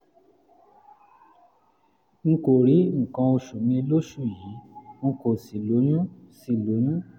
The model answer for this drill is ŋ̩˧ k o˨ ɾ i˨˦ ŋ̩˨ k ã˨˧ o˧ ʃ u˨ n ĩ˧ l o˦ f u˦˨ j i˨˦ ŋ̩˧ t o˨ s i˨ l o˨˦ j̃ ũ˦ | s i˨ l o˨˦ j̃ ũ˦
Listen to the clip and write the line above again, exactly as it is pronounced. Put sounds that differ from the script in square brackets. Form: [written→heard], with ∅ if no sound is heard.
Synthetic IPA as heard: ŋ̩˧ k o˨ ɾ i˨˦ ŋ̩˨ k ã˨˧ o˧ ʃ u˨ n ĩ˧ l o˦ [f→ʃ] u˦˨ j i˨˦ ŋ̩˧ [t→k] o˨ s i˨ l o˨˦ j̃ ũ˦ | s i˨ l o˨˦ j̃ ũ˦